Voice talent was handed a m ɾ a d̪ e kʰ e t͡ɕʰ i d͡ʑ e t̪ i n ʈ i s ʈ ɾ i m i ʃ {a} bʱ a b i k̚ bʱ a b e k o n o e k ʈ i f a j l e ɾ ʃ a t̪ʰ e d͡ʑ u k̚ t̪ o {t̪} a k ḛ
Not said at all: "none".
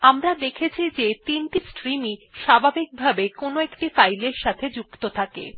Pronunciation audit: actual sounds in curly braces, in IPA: a, t̪ʰ

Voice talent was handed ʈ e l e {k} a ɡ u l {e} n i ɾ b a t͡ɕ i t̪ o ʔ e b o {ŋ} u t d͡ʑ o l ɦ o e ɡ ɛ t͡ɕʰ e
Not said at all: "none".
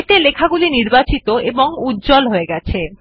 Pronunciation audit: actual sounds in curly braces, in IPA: kʰ, i, ŋ

